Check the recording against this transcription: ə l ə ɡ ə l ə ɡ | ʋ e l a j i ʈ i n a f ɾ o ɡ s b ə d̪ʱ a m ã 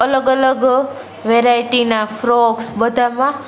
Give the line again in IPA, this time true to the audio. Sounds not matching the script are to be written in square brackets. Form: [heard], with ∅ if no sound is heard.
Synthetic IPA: ə l ə ɡ ə l ə ɡ | ʋ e [ɾ] a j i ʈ i n a f ɾ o ɡ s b ə d̪ʱ a m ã